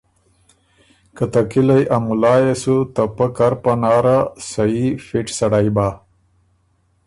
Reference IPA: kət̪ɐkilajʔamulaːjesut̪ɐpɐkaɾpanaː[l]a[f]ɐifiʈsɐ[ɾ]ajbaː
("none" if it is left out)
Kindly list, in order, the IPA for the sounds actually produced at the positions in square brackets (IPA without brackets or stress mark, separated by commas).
ɾ, s, ɽ